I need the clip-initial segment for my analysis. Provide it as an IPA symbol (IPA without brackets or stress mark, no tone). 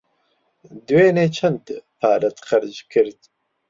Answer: d̪